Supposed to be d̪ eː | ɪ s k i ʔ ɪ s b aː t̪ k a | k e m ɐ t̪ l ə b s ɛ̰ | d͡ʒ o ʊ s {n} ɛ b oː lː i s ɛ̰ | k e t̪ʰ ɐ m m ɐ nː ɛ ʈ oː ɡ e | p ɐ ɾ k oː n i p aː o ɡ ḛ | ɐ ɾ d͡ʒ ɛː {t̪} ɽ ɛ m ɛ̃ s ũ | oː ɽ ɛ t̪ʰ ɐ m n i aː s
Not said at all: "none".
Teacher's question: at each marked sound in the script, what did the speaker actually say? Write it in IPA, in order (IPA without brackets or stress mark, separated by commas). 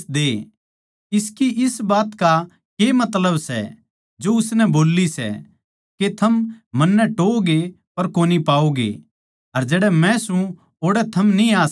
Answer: n, none